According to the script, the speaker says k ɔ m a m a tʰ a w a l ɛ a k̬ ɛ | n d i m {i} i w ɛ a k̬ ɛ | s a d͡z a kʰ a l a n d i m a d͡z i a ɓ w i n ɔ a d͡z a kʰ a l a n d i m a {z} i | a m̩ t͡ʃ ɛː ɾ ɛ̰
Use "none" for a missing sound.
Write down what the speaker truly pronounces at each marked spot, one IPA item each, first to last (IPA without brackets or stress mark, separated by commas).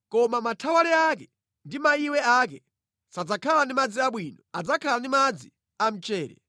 a, d͡z